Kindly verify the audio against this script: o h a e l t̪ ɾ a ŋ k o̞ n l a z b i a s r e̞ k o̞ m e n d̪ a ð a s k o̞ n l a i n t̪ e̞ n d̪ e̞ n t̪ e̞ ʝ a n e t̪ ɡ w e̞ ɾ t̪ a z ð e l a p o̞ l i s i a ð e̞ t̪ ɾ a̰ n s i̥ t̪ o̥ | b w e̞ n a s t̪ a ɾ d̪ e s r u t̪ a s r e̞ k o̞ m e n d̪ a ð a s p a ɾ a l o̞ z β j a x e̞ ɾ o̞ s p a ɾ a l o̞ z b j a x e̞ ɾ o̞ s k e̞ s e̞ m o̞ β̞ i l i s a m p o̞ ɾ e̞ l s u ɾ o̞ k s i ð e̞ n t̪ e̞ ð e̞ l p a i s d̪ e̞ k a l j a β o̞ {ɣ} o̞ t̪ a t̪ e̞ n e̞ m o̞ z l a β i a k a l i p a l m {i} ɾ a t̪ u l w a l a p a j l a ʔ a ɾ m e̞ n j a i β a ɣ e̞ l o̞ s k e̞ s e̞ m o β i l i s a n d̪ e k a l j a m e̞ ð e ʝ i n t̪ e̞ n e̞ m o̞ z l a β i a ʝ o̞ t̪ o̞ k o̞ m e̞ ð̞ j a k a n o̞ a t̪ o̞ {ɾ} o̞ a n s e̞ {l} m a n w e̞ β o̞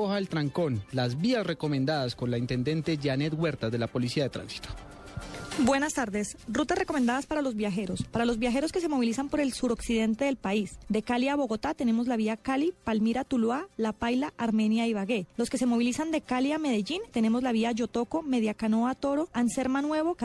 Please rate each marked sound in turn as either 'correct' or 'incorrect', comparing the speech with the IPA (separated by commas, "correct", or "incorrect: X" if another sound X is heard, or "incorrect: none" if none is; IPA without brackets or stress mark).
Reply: correct, correct, correct, incorrect: ɾ